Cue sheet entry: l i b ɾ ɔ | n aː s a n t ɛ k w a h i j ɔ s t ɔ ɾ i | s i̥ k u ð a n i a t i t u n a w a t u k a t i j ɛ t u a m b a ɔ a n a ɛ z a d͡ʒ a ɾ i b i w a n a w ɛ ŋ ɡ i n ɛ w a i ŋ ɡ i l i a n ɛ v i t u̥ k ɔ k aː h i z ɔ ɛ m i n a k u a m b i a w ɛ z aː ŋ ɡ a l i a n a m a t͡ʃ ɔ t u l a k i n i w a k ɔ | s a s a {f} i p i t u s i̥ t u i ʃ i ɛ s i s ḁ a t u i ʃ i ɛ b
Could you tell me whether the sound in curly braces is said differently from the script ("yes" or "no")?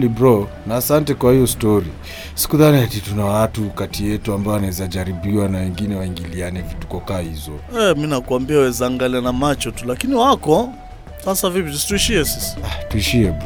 yes